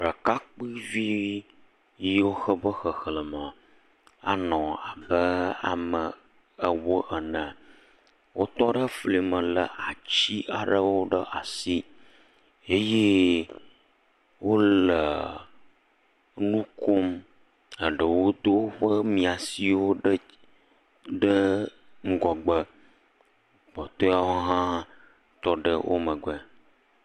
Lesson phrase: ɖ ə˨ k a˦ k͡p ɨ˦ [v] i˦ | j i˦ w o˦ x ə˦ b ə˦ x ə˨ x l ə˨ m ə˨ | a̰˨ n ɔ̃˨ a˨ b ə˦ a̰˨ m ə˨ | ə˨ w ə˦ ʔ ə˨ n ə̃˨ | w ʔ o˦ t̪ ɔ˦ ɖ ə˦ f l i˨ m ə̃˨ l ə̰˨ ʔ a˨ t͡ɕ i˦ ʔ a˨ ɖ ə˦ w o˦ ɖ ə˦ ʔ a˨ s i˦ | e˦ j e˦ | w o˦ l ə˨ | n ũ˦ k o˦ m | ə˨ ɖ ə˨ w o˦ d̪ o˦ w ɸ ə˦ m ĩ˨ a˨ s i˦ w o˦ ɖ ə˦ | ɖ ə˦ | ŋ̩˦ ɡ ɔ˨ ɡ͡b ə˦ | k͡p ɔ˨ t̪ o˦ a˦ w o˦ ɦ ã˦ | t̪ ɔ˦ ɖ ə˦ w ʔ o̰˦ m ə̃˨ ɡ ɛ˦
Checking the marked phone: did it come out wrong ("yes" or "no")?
no